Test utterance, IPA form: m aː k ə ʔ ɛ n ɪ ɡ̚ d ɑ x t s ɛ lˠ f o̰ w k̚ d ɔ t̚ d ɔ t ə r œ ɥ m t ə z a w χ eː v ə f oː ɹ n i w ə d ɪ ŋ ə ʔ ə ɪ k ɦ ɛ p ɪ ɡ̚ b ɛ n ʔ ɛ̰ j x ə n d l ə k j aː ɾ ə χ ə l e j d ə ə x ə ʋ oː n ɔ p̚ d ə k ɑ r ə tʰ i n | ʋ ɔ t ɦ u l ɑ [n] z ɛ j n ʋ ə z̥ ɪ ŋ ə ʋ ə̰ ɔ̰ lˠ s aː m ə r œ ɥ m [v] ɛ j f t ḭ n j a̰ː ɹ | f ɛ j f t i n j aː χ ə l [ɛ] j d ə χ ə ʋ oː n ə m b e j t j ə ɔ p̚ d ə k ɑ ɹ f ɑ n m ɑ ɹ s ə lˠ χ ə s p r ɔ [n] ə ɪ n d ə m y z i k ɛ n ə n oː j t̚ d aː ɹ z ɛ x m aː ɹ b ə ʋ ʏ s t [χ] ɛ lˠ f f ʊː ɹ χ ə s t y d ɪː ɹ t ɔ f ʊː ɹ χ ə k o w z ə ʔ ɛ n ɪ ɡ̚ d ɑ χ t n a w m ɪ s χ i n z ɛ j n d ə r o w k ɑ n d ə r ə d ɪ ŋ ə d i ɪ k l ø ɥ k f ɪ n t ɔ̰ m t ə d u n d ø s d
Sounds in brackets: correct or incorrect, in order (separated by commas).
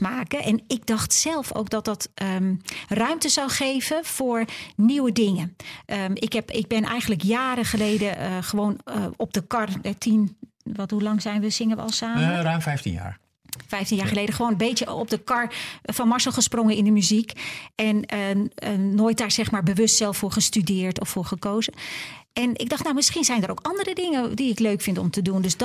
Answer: incorrect, incorrect, incorrect, incorrect, incorrect